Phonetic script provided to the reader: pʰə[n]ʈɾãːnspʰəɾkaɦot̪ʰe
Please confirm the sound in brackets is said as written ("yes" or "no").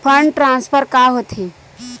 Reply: no